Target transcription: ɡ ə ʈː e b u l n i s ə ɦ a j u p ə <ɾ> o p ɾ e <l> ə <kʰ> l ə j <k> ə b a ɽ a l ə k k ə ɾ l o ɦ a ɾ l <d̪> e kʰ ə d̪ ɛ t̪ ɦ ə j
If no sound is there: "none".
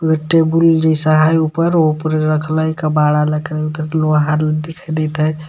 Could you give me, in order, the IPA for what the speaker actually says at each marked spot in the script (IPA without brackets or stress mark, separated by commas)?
ɾ, ɾ, kʰ, k, d̪